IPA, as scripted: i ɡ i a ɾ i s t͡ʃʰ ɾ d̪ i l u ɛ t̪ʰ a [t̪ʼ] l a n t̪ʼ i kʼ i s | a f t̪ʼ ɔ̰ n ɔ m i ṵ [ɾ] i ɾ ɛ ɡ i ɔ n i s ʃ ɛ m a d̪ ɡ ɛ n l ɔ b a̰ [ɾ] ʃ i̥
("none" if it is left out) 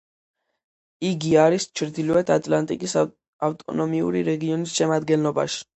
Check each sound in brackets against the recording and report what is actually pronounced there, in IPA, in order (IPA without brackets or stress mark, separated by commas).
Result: t̪ʼ, ɾ, none